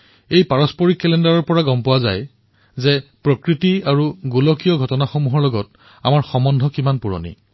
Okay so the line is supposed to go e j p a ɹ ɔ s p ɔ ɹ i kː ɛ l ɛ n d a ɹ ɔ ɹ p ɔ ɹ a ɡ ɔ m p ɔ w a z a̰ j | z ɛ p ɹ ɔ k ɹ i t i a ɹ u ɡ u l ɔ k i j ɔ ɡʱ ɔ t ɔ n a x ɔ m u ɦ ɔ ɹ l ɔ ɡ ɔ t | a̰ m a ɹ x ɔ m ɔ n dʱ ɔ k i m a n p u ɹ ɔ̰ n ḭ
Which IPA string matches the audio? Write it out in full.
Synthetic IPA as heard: e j p a ɹ ɔ s p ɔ ɹ i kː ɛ l ɛ n d a ɹ ɔ ɹ p ɔ ɹ a ɡ ɔ m p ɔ w a z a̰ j | z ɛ p ɹ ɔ k ɹ i t i a ɹ u ɡ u l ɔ k i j ɔ ɡʱ ɔ t ɔ n a x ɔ m u ɦ ɔ ɹ l ɔ ɡ ɔ t | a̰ m a ɹ x ɔ m ɔ n dʱ ɔ k i m a n p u ɹ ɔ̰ n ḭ